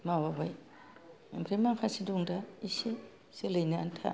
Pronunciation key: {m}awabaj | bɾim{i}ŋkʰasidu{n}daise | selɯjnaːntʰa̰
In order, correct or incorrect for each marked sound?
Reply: correct, incorrect: a, incorrect: ŋ

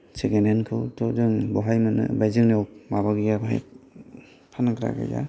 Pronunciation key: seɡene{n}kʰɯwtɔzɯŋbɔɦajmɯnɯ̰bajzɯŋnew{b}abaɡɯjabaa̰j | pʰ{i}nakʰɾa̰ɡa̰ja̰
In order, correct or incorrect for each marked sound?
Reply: correct, incorrect: m, incorrect: a

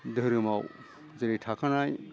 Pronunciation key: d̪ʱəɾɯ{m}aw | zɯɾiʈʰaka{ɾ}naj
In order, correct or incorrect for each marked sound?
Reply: correct, incorrect: none

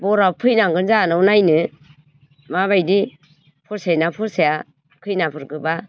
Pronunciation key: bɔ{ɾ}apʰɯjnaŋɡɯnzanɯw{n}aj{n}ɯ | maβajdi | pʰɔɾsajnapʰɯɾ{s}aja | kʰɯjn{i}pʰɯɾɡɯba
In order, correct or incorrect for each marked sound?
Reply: correct, correct, correct, correct, incorrect: a

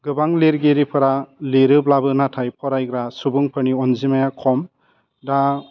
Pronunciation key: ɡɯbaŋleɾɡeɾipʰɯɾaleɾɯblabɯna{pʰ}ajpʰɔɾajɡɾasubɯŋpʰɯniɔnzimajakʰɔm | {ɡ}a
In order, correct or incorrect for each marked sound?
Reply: incorrect: tʰ, incorrect: d

